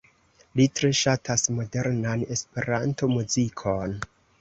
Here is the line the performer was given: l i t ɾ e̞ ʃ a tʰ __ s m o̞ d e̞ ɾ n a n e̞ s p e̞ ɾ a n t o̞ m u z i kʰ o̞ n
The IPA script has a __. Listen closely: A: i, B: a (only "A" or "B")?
B